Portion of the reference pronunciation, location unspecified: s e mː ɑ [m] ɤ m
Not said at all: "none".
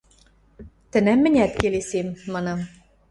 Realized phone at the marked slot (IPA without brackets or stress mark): n